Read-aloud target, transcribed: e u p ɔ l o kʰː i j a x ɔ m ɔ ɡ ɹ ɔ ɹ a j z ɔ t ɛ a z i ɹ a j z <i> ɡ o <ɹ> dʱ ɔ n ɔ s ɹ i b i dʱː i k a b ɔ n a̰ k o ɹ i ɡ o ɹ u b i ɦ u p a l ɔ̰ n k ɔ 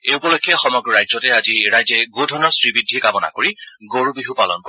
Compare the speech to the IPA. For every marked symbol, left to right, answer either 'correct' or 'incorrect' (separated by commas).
incorrect, incorrect